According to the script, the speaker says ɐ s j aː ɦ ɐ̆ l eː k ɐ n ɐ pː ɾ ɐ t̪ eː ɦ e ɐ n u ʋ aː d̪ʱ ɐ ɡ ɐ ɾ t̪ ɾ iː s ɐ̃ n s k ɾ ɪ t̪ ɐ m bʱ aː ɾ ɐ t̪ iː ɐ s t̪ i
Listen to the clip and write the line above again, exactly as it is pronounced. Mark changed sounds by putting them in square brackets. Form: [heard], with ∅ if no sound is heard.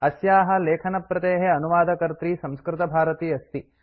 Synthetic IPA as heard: ɐ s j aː ɦ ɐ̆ l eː [kʰ] ɐ n ɐ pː ɾ ɐ t̪ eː ɦ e ɐ n u ʋ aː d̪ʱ ɐ [k] ɐ ɾ t̪ ɾ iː s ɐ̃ [m] s k ɾ ɪ t̪ ɐ [∅] bʱ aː ɾ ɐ t̪ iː ɐ s t̪ i